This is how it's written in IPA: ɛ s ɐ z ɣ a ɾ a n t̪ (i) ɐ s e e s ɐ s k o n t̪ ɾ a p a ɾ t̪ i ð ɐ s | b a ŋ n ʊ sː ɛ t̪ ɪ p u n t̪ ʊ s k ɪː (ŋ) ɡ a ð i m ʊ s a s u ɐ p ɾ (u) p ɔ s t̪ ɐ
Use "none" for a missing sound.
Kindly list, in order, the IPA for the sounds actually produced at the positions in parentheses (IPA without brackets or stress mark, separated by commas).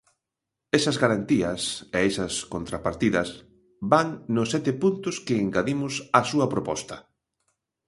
i, ŋ, o